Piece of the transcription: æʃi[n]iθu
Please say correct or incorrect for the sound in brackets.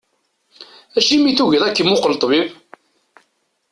incorrect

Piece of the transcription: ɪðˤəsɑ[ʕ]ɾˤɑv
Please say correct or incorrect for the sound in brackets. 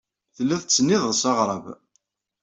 incorrect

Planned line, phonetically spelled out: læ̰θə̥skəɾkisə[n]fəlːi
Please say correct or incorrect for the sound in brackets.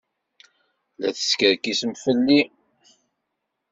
incorrect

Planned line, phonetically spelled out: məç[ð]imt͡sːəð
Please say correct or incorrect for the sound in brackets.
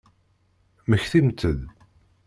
incorrect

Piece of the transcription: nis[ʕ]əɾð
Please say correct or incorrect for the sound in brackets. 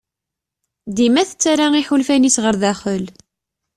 incorrect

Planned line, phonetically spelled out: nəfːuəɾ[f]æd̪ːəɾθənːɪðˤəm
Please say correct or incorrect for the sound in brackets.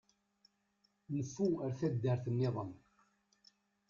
incorrect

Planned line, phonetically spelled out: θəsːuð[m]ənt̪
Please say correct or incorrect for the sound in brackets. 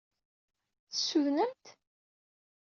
incorrect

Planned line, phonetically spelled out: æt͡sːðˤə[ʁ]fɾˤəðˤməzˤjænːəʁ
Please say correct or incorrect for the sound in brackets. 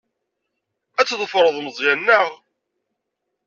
incorrect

